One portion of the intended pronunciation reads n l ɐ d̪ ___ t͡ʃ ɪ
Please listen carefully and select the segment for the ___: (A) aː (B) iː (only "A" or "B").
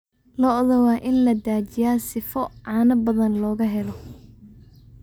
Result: A